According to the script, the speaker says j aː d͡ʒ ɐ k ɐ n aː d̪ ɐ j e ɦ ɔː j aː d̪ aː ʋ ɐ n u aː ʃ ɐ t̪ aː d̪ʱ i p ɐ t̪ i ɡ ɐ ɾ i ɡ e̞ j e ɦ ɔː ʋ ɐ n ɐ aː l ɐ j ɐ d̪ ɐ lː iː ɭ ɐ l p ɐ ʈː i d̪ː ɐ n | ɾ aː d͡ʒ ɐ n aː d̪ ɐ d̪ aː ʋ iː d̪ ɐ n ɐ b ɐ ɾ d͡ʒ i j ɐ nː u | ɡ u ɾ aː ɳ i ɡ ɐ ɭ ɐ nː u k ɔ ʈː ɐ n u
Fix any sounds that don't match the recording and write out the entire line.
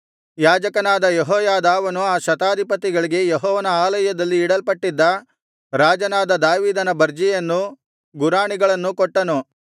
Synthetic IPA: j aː d͡ʒ ɐ k ɐ n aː d̪ ɐ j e ɦ ɔː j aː d̪ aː ʋ ɐ n u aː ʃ ɐ t̪ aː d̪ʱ i p ɐ t̪ i ɡ ɐ ɭ i ɡ e̞ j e ɦ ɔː ʋ ɐ n ɐ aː l ɐ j ɐ d̪ ɐ lː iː ɽ ɐ l p ɐ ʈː i d̪ː ɐ | ɾ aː d͡ʒ ɐ n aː d̪ ɐ d̪ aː ʋ iː d̪ ɐ n ɐ b ɐ ɾ d͡ʒ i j ɐ nː u | ɡ u ɾ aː ɳ i ɡ ɐ ɭ ɐ nː u k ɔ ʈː ɐ n u

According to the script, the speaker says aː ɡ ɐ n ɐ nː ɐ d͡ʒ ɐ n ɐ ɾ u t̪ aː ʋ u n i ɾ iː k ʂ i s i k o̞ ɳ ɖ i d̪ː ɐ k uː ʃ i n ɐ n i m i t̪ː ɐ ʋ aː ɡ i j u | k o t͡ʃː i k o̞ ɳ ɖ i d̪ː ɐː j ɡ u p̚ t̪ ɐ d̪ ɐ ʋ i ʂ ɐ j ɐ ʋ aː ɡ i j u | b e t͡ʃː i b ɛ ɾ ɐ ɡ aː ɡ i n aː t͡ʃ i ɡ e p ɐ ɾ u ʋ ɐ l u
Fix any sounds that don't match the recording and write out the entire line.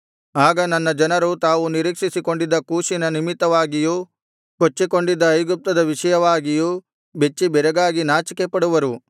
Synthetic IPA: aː ɡ ɐ n ɐ nː ɐ d͡ʒ ɐ n ɐ ɾ u t̪ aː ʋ u n i ɾ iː k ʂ i s i k o̞ ɳ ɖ i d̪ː ɐ k uː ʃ i n ɐ n i m i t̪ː ɐ ʋ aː ɡ i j u | k o t͡ʃː i k o̞ ɳ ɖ i d̪ː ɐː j ɡ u p̚ t̪ ɐ d̪ ɐ ʋ i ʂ ɐ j ɐ ʋ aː ɡ i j u | b e t͡ʃː i b ɛ ɾ ɐ ɡ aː ɡ i n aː t͡ʃ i k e p ɐ ɽ u ʋ ɐ ɾ u

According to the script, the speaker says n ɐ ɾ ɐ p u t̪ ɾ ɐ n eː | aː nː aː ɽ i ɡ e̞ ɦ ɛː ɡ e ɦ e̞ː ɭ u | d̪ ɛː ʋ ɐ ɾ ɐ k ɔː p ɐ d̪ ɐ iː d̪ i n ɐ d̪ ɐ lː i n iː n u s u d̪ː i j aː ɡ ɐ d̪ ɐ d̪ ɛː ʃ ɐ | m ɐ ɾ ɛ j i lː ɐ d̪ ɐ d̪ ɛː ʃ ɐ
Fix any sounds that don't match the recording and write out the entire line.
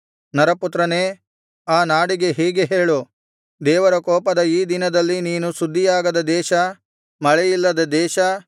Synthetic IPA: n ɐ ɾ ɐ p u t̪ ɾ ɐ n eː | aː n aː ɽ i ɡ e̞ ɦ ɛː ɡ e ɦ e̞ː ɭ u | d̪ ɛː ʋ ɐ ɾ ɐ k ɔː p ɐ d̪ ɐ iː d̪ i n ɐ d̪ ɐ lː i n iː n u s u d̪ː i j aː ɡ ɐ d̪ ɐ d̪ ɛː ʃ ɐ | m ɐ ɭ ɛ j i lː ɐ d̪ ɐ d̪ ɛː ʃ ɐ

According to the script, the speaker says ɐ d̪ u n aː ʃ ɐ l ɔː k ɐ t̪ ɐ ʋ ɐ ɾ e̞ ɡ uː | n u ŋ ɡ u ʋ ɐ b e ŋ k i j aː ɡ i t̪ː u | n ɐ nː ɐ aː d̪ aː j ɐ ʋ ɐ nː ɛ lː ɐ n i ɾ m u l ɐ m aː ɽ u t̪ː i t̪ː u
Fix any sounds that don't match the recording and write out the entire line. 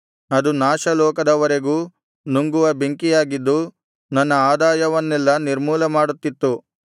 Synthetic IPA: ɐ d̪ u n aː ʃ ɐ l ɔː k ɐ d̪ ɐ ʋ ɐ ɾ e̞ ɡ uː | n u ŋ ɡ u ʋ ɐ b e ŋ k i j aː ɡ i d̪ː u | n ɐ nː ɐ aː d̪ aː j ɐ ʋ ɐ nː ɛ lː ɐ n i ɾ m uː l ɐ m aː ɽ u t̪ː i t̪ː u

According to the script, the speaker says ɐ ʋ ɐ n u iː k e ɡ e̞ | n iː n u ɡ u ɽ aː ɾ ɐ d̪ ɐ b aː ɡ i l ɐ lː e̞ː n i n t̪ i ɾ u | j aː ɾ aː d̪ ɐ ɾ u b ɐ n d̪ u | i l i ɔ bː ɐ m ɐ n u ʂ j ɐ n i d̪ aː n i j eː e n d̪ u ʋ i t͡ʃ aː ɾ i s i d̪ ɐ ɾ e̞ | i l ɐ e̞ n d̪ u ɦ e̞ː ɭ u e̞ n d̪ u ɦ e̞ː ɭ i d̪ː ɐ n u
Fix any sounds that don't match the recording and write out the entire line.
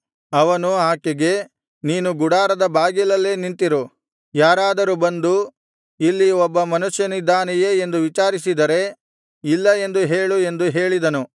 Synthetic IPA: ɐ ʋ ɐ n u aː k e ɡ e̞ | n iː n u ɡ u ɽ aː ɾ ɐ d̪ ɐ b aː ɡ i l ɐ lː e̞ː n i n t̪ i ɾ u | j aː ɾ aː d̪ ɐ ɾ u b ɐ n d̪ u | i lː i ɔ bː ɐ m ɐ n u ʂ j ɐ n i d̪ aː n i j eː e n d̪ u ʋ i t͡ʃ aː ɾ i s i d̪ ɐ ɾ e̞ | i lː ɐ e̞ n d̪ u ɦ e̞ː ɭ u e̞ n d̪ u ɦ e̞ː ɭ i d̪ ɐ n u

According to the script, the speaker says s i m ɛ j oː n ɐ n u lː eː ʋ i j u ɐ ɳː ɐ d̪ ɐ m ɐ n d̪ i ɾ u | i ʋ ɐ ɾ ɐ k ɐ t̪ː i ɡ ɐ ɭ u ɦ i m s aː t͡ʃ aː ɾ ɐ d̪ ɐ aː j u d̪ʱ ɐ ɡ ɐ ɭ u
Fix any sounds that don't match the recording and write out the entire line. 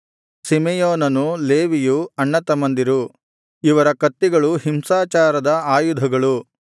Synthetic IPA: s i m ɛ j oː n ɐ n u l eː ʋ i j u ɐ ɳː ɐ t̪ ɐ m ɐ n d̪ i ɾ u | i ʋ ɐ ɾ ɐ k ɐ t̪ː i ɡ ɐ ɭ u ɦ i m s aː t͡ʃ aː ɾ ɐ d̪ ɐ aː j u d̪ʱ ɐ ɡ ɐ ɭ u

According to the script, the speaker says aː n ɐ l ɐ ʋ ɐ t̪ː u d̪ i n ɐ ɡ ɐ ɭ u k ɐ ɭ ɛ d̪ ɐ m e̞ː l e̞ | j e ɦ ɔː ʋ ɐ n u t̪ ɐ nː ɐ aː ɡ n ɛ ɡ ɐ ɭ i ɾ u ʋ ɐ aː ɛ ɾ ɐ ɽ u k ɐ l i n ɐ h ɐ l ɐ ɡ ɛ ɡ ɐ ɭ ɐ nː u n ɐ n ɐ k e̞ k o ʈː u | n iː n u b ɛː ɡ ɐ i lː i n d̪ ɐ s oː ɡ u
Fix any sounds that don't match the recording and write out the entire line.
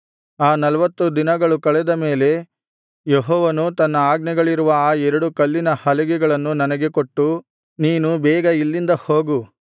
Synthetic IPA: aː n ɐ l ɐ ʋ ɐ t̪ː u d̪ i n ɐ ɡ ɐ ɭ u k ɐ ɭ ɛ d̪ ɐ m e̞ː l e̞ | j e ɦ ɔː ʋ ɐ n u t̪ ɐ nː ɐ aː ɡ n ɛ ɡ ɐ ɭ i ɾ u ʋ ɐ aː ɛ ɾ ɐ ɽ u k ɐ lː i n ɐ h ɐ l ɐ ɡ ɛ ɡ ɐ ɭ ɐ nː u n ɐ n ɐ ɡ e̞ k o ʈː u | n iː n u b ɛː ɡ ɐ i lː i n d̪ ɐ h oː ɡ u

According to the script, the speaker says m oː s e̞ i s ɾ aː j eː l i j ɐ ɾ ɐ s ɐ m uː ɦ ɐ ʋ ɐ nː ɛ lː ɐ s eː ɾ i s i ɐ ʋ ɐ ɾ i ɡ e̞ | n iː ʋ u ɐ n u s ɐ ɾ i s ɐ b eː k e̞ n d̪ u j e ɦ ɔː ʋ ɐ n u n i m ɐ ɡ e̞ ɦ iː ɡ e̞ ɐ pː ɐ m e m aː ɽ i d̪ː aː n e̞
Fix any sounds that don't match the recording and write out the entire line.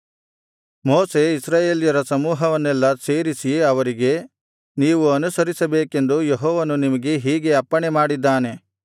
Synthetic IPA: m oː s e̞ i s ɾ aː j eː l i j ɐ ɾ ɐ s ɐ m uː ɦ ɐ ʋ ɐ nː ɛ lː ɐ s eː ɾ i s i ɐ ʋ ɐ ɾ i ɡ e̞ | n iː ʋ u ɐ n u s ɐ ɾ i s ɐ b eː k e̞ n d̪ u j e ɦ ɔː ʋ ɐ n u n i m ɐ ɡ e̞ ɦ iː ɡ e̞ ɐ pː ɐ ɳ e m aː ɽ i d̪ː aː n e̞

